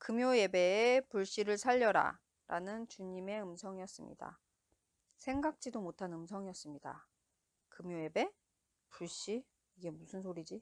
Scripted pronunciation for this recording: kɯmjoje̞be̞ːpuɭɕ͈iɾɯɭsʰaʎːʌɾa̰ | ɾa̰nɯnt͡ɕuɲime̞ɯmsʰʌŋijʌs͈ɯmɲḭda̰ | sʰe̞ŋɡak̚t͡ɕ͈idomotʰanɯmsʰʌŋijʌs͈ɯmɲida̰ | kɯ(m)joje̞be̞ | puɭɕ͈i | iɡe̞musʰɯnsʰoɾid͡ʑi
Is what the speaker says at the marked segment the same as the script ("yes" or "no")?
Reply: yes